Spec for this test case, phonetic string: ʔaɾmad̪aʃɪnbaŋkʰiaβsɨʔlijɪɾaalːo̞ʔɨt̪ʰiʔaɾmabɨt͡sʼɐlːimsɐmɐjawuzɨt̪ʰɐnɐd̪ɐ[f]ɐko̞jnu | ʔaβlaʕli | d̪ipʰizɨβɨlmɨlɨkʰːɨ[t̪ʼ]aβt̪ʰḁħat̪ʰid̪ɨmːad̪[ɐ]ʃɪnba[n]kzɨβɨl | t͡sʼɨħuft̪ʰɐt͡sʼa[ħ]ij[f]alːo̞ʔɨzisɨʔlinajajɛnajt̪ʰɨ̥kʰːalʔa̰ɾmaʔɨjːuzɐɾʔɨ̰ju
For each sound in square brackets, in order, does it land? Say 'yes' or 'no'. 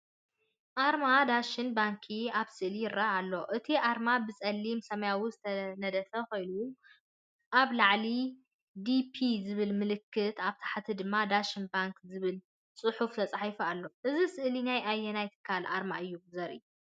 yes, no, no, no, yes, yes

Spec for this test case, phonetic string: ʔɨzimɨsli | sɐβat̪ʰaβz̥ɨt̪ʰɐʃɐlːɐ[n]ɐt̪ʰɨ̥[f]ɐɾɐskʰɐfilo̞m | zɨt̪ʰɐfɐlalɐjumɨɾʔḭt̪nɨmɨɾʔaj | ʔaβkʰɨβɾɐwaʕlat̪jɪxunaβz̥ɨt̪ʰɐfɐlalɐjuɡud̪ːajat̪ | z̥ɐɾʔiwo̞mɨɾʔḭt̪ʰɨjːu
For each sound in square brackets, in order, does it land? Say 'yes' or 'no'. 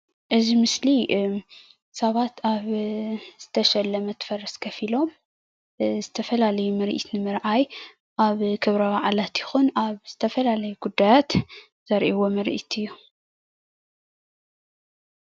no, yes

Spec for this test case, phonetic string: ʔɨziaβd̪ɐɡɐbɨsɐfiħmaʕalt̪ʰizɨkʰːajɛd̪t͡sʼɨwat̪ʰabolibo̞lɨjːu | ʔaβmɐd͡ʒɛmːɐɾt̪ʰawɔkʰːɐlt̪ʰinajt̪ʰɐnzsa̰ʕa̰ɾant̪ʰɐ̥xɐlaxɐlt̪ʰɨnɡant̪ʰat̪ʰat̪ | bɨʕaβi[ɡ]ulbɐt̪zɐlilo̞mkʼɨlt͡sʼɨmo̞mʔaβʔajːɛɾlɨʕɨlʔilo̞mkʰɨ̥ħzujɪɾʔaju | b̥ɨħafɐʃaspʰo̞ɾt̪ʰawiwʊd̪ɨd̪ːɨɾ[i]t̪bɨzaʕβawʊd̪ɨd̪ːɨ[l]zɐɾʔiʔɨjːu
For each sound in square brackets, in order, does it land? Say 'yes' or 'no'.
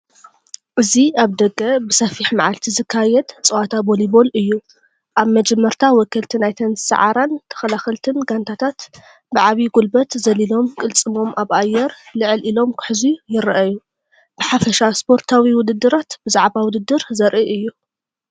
yes, no, no

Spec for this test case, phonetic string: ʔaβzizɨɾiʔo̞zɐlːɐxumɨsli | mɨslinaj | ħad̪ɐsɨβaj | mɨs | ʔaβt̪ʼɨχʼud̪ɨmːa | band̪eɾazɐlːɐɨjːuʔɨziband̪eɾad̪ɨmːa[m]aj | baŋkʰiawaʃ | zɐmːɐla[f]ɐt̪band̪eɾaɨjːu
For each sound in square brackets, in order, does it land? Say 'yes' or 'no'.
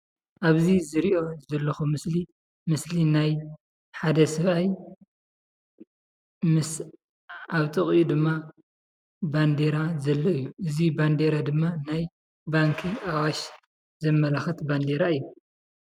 no, no

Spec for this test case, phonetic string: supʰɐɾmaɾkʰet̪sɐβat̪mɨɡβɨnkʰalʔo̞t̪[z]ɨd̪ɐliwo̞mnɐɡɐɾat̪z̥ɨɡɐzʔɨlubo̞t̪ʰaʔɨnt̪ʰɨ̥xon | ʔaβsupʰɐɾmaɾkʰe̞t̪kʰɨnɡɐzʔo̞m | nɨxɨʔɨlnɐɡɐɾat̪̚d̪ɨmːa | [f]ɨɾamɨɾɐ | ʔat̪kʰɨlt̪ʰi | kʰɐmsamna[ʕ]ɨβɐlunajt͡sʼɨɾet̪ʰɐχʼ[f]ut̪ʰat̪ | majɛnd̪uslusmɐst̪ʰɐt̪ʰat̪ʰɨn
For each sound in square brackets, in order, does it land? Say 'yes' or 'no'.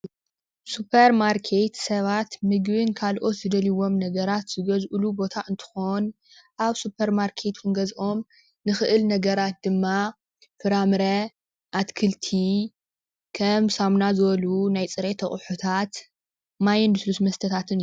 yes, yes, no, no

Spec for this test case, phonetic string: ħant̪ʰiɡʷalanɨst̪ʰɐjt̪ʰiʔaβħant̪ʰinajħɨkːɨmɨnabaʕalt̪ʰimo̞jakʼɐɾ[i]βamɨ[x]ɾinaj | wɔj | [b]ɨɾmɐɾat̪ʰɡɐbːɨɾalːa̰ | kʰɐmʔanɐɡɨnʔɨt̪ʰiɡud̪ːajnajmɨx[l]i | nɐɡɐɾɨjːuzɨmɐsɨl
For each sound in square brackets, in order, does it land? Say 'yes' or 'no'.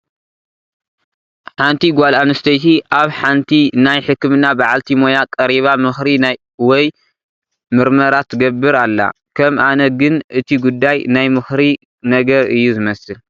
yes, yes, no, no

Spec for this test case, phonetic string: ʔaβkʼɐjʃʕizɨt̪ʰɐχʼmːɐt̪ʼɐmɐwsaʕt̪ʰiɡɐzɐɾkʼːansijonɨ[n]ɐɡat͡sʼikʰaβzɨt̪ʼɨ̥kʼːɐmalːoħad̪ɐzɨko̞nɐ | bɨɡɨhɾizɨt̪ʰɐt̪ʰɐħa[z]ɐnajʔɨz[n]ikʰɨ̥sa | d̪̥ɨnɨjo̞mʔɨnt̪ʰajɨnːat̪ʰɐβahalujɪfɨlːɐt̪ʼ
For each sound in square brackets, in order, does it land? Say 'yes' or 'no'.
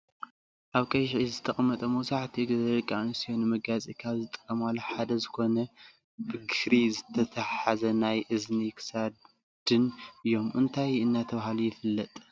no, yes, yes

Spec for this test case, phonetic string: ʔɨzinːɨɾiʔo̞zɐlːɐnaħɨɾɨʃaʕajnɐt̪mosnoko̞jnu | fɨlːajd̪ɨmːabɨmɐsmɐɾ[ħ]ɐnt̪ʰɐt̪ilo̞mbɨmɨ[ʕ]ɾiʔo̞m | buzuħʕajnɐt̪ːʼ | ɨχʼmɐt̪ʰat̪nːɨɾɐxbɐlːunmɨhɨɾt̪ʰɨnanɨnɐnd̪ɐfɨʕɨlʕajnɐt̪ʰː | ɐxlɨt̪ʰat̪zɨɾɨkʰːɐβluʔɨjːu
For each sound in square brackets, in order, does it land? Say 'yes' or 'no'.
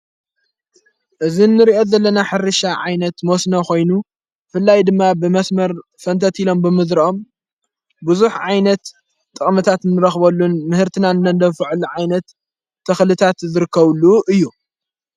no, no

